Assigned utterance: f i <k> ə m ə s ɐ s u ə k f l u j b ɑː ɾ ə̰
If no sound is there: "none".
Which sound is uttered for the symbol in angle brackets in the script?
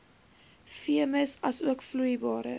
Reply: none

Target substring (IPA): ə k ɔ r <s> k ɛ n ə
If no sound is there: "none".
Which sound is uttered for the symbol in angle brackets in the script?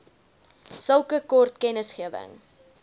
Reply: t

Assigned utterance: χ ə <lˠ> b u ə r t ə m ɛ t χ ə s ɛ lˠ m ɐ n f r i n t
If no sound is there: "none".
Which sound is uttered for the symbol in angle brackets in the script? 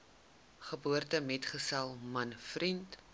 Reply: none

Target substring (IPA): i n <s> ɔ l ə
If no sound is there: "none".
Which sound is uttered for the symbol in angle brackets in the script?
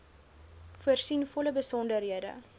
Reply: f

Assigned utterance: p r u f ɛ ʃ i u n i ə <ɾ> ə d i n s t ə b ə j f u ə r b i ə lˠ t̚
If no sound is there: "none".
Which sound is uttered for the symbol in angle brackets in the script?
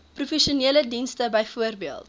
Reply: l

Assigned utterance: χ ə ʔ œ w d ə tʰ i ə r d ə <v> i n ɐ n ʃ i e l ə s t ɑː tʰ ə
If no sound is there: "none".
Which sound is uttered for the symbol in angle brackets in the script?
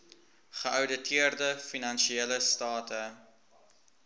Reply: f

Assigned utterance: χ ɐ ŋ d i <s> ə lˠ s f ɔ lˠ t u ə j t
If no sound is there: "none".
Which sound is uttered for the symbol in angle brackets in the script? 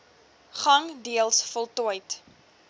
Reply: none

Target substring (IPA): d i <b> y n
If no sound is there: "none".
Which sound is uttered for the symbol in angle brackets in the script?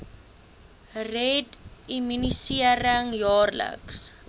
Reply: m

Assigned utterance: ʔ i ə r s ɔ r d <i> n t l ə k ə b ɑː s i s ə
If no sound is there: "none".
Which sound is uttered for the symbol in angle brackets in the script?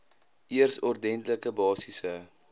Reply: ɛ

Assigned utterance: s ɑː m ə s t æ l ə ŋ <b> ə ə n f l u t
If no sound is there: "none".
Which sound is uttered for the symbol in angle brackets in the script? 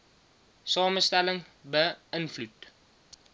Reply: b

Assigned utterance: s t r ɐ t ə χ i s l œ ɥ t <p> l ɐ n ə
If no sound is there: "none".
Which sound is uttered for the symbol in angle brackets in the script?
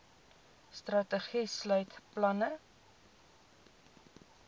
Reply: p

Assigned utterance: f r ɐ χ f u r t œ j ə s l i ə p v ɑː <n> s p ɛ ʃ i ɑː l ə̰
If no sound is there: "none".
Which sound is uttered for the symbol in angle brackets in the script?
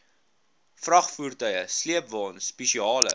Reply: n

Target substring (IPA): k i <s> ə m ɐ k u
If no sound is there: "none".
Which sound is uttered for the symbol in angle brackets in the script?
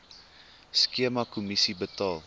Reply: none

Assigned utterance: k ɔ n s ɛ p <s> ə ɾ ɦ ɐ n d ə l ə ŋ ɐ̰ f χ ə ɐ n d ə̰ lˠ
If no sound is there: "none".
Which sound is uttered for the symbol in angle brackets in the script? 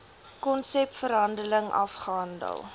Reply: f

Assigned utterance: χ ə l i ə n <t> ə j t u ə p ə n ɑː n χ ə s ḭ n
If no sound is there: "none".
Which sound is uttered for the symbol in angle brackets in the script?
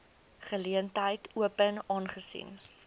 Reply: t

